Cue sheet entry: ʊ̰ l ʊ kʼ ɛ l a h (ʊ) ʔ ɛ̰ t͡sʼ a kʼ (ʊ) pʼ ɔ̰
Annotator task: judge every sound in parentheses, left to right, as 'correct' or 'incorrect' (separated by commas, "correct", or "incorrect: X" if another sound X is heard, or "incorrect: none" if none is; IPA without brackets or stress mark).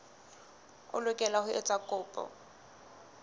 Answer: correct, incorrect: ʊː